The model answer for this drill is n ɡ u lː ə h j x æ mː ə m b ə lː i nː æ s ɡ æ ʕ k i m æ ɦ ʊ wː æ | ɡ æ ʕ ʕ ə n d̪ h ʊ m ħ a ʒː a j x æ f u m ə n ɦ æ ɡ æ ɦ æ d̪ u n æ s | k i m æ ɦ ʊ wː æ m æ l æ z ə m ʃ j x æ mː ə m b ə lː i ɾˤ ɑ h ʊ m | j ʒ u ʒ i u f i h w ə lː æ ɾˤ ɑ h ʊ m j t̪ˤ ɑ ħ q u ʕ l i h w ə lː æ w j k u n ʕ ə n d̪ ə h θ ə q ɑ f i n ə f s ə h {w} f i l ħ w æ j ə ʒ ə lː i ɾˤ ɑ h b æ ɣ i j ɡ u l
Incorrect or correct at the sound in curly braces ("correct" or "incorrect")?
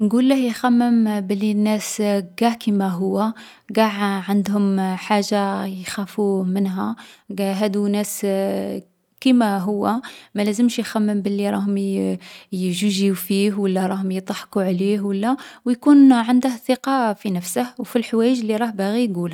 correct